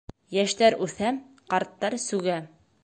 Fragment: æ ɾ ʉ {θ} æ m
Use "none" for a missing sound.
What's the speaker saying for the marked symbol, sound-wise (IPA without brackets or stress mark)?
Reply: θ